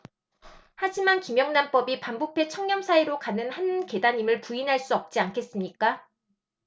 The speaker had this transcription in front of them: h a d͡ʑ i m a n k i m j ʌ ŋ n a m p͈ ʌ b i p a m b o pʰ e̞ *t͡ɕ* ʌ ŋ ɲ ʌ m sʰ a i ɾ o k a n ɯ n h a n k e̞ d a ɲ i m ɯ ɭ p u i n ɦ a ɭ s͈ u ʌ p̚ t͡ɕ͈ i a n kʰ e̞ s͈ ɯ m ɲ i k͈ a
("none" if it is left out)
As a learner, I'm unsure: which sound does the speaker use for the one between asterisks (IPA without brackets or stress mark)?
t͡ɕʰ